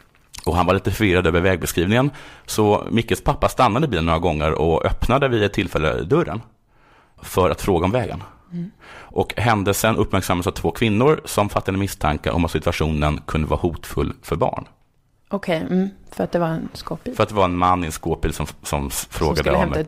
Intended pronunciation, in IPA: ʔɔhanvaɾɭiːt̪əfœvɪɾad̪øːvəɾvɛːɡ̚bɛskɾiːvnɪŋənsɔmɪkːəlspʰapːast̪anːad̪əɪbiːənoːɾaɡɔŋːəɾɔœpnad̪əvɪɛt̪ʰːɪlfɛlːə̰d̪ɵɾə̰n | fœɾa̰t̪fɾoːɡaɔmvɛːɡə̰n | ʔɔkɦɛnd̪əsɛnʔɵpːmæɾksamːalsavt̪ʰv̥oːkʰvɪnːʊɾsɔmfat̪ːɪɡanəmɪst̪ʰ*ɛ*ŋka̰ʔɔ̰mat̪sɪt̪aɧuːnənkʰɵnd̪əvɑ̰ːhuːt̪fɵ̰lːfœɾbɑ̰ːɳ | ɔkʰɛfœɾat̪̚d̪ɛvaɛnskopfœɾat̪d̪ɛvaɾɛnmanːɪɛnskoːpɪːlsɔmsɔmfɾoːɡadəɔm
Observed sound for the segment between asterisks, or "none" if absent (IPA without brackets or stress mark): a